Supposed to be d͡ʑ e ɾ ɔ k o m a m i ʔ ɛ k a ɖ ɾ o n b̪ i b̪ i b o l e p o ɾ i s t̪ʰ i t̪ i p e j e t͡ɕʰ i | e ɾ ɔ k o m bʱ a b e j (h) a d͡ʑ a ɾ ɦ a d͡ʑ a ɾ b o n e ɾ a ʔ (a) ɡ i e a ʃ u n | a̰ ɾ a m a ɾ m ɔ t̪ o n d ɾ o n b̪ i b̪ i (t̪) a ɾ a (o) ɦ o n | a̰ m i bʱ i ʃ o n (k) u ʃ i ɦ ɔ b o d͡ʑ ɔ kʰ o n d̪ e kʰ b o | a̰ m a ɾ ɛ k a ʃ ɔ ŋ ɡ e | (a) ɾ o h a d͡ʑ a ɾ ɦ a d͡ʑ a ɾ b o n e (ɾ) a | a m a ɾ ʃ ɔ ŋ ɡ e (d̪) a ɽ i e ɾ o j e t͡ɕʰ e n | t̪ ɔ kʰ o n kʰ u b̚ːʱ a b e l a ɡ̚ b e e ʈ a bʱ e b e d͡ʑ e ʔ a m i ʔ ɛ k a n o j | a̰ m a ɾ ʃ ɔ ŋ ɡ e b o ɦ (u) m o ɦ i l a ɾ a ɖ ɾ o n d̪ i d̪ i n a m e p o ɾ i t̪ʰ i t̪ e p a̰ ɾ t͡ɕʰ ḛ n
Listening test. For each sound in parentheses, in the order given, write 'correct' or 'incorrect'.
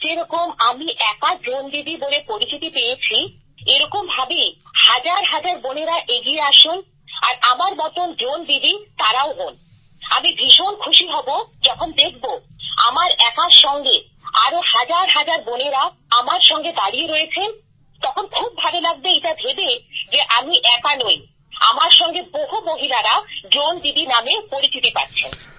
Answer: correct, incorrect, correct, correct, incorrect, correct, correct, correct, incorrect

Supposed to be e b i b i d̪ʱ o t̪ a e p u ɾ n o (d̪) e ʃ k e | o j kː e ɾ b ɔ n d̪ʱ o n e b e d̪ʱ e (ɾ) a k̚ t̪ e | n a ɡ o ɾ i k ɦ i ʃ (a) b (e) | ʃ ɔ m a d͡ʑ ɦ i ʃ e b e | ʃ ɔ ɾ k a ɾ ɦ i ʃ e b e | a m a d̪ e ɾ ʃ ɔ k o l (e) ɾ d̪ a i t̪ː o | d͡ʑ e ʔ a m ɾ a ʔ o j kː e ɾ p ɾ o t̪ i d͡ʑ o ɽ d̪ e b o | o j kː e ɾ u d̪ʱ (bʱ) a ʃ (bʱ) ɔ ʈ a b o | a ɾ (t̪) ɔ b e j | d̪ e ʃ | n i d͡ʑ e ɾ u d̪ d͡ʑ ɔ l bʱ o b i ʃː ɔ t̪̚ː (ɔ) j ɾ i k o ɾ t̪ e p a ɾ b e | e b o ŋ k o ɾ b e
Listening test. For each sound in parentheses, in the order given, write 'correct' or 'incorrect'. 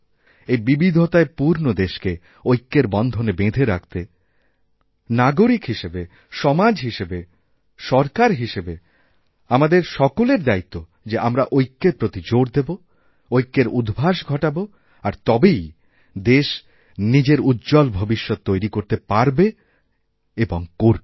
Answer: correct, correct, incorrect, correct, correct, correct, incorrect, correct, incorrect

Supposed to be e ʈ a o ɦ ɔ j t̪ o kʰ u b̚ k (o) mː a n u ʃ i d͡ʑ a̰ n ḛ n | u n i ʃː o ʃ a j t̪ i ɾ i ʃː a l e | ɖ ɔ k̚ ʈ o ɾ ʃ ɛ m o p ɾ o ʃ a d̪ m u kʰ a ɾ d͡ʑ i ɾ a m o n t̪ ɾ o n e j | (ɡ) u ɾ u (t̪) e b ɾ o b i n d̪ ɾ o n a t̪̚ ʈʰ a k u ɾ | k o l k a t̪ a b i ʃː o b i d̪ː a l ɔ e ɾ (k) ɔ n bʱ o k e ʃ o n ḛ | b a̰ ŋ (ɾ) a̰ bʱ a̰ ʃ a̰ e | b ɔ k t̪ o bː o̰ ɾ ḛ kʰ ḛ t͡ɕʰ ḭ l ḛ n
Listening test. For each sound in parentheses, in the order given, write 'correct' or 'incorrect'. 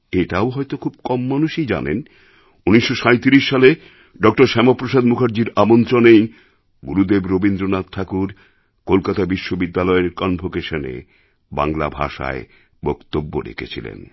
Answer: incorrect, correct, incorrect, correct, incorrect

